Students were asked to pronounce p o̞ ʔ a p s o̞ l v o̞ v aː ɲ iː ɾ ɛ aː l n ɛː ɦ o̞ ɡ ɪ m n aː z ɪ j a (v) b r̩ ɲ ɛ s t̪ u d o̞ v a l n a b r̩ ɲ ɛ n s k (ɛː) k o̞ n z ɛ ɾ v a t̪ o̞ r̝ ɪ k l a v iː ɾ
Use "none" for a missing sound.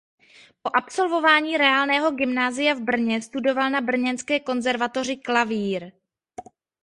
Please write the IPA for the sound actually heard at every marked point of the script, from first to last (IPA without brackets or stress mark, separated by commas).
v, ɛː